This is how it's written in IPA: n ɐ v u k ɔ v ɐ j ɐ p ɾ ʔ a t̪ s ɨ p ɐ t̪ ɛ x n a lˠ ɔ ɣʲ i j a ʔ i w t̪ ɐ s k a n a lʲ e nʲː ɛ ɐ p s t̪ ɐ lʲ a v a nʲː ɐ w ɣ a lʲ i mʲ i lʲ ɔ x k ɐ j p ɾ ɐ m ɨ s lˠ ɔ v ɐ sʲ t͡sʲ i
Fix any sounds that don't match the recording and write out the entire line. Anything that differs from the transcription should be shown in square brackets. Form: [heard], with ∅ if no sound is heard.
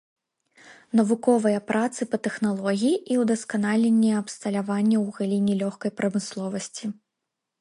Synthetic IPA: n ɐ v u k ɔ v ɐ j ɐ p ɾ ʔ a t̪ s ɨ p ɐ t̪ ɛ x n a lˠ ɔ ɣʲ i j [i] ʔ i w [d̪] ɐ s k a n a lʲ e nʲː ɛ ɐ p s t̪ ɐ lʲ a v a nʲː ɐ w ɣ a lʲ i [nʲ] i lʲ ɔ x k ɐ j p ɾ ɐ m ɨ s lˠ ɔ v ɐ sʲ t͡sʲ i

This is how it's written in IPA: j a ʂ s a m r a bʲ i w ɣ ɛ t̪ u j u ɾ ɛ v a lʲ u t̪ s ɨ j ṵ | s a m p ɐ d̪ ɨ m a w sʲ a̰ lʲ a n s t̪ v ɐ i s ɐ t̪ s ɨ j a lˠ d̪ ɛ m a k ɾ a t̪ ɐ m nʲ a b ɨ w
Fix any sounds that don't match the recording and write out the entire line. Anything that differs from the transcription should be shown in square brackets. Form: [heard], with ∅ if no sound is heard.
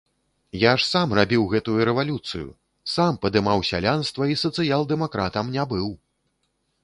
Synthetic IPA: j a ʂ s a m r a bʲ i w ɣ ɛ t̪ u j u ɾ ɛ v a lʲ u t̪ s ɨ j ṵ | s a m p ɐ d̪ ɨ m a w sʲ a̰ lʲ a n s t̪ v ɐ i s ɐ t̪ s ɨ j a lˠ d̪ ɛ m a k ɾ a t̪ ɐ m nʲ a b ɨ w

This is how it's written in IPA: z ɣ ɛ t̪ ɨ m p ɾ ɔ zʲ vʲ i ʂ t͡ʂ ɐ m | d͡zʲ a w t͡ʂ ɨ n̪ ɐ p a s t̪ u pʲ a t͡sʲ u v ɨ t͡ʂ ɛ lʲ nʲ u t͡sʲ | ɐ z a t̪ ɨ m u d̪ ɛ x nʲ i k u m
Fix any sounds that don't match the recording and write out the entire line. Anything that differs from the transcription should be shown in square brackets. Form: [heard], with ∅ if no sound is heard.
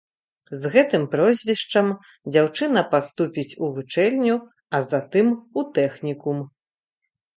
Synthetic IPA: z ɣ ɛ t̪ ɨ m p ɾ ɔ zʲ vʲ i ʂ t͡ʂ ɐ m | d͡zʲ a w t͡ʂ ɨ n̪ ɐ p a s t̪ u pʲ [i] t͡sʲ u v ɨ t͡ʂ ɛ lʲ nʲ u [∅] | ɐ z a t̪ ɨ m u [t̪] ɛ x nʲ i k u m

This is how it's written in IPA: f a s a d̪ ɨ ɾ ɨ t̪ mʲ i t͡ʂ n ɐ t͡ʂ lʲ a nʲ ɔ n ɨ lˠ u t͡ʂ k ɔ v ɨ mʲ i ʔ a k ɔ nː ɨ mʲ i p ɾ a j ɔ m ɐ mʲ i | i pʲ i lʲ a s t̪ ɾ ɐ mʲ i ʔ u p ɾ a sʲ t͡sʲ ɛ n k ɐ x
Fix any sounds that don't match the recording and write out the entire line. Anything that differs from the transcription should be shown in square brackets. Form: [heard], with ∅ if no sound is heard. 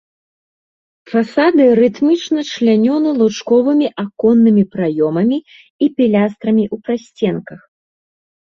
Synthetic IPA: f a s a d̪ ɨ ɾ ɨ t̪ mʲ i t͡ʂ n ɐ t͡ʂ lʲ a nʲ ɔ n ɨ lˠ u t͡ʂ k ɔ v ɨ mʲ i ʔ a k ɔ nː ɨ mʲ i p ɾ a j ɔ m ɐ mʲ i | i pʲ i lʲ a s t̪ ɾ ɐ mʲ i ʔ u p ɾ a sʲ t͡sʲ ɛ n k ɐ x

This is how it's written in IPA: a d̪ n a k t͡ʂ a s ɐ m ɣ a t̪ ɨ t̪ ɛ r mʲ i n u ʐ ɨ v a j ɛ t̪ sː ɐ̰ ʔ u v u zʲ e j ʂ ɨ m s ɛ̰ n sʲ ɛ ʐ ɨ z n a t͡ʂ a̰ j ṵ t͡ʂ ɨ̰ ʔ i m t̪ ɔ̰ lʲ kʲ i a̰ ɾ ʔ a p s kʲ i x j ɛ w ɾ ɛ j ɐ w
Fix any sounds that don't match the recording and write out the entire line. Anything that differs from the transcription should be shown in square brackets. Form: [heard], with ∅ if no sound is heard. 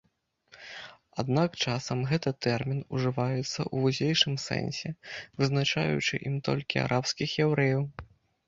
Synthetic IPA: a d̪ n a k t͡ʂ a s ɐ m ɣ [ɛ] t̪ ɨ t̪ ɛ r mʲ i n u ʐ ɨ v a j ɛ t̪ sː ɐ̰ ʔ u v u zʲ e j ʂ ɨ m s ɛ̰ n sʲ ɛ [v] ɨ z n a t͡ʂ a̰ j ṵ t͡ʂ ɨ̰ ʔ i m t̪ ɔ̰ lʲ kʲ i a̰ ɾ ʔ a p s kʲ i x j ɛ w ɾ ɛ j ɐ w

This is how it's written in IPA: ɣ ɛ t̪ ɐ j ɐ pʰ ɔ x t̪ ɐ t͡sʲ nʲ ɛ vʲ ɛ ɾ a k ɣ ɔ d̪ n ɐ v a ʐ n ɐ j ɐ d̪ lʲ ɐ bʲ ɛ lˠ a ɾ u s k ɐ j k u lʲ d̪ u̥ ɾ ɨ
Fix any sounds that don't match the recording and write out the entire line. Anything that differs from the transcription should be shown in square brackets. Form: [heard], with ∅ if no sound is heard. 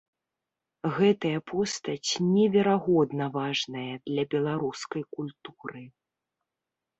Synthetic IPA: ɣ ɛ t̪ ɐ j ɐ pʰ ɔ [s] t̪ ɐ t͡sʲ nʲ ɛ vʲ ɛ ɾ a [∅] ɣ ɔ d̪ n ɐ v a ʐ n ɐ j ɐ d̪ lʲ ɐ bʲ ɛ lˠ a ɾ u s k ɐ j k u lʲ [t̪] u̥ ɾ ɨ

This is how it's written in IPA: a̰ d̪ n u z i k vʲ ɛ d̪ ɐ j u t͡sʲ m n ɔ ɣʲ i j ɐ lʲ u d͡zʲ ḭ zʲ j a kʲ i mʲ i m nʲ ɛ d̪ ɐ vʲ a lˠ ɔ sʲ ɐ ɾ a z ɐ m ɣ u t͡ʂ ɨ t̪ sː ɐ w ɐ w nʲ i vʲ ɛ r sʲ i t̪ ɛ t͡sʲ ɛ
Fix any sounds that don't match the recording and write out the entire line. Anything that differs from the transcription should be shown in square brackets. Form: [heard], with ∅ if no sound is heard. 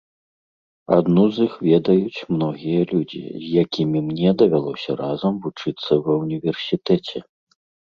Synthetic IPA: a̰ d̪ n u z i [x] vʲ ɛ d̪ ɐ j u t͡sʲ m n ɔ ɣʲ i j ɐ lʲ u d͡zʲ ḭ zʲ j a kʲ i mʲ i m nʲ ɛ d̪ ɐ vʲ a lˠ ɔ sʲ ɐ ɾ a z ɐ m [v] u t͡ʂ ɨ t̪ sː ɐ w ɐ w nʲ i vʲ ɛ r sʲ i t̪ ɛ t͡sʲ ɛ

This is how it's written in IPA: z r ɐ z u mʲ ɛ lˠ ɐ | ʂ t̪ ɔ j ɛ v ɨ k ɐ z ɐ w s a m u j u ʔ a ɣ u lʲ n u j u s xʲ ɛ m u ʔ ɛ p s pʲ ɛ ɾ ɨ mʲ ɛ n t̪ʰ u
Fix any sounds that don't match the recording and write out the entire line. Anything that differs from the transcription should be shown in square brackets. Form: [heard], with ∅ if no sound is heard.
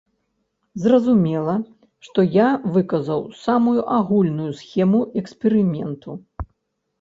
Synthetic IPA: z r ɐ z u mʲ ɛ lˠ ɐ | ʂ t̪ ɔ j [a] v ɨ k ɐ z ɐ w s a m u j u ʔ a ɣ u lʲ n u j u s xʲ ɛ m u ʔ ɛ [k] s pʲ ɛ ɾ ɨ mʲ ɛ n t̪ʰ u

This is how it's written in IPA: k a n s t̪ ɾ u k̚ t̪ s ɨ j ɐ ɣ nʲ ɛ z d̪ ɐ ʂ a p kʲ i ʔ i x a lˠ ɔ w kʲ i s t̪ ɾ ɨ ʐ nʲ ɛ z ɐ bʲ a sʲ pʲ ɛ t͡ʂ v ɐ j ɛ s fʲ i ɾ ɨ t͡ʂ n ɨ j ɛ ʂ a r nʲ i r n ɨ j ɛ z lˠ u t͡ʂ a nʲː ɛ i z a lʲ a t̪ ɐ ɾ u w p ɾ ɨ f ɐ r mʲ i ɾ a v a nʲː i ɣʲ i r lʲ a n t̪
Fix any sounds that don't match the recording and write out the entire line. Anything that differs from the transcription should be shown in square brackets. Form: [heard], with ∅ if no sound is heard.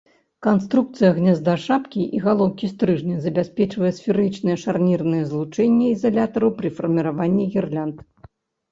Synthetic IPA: k a n s t̪ ɾ u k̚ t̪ s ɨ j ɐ ɣ nʲ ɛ z d̪ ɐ ʂ a p kʲ i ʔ i [ɣ] a lˠ ɔ w kʲ i s t̪ ɾ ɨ ʐ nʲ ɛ z ɐ bʲ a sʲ pʲ ɛ t͡ʂ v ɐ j ɛ s fʲ i ɾ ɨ t͡ʂ n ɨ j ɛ ʂ a r nʲ i r n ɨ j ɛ z lˠ u t͡ʂ [ɛ] nʲː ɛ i z a lʲ a t̪ ɐ ɾ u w p ɾ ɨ f ɐ r mʲ i ɾ a v a nʲː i ɣʲ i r lʲ a n t̪

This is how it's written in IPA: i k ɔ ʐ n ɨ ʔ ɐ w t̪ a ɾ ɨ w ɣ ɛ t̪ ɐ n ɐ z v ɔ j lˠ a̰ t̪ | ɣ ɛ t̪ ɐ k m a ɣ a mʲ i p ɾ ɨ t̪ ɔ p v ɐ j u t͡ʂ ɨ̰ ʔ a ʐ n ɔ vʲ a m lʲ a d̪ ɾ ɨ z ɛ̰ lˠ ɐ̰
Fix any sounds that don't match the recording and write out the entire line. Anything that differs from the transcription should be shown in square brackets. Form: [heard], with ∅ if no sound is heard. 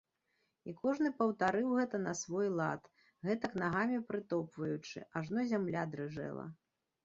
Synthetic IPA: i k ɔ ʐ n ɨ [p] ɐ w t̪ a ɾ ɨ w ɣ ɛ t̪ ɐ n ɐ [s] v ɔ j lˠ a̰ t̪ | ɣ ɛ t̪ ɐ k [n] a ɣ a mʲ i p ɾ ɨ t̪ ɔ p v ɐ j u t͡ʂ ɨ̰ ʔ a ʐ n ɔ [zʲ] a m lʲ a d̪ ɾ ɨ [ʐ] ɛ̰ lˠ ɐ̰

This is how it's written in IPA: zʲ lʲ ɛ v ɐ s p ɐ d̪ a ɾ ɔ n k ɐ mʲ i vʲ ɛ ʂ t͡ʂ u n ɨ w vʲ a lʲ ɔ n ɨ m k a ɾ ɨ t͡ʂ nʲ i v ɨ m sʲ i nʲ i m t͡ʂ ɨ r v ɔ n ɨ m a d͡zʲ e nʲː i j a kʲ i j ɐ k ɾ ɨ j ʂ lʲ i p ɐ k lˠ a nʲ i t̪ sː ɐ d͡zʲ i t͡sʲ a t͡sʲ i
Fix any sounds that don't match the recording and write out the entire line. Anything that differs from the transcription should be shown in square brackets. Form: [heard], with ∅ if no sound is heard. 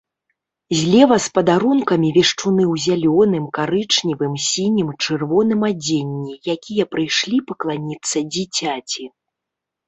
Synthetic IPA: zʲ lʲ ɛ v ɐ s p ɐ d̪ a ɾ [u] n k ɐ mʲ i vʲ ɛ ʂ t͡ʂ u n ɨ w [zʲ] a lʲ ɔ n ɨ m k a ɾ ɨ t͡ʂ nʲ i v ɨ m sʲ i nʲ i m t͡ʂ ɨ r v ɔ n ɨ m a d͡zʲ e nʲː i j a kʲ i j ɐ [p] ɾ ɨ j ʂ lʲ i p ɐ k lˠ a nʲ i t̪ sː ɐ d͡zʲ i t͡sʲ a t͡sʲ i

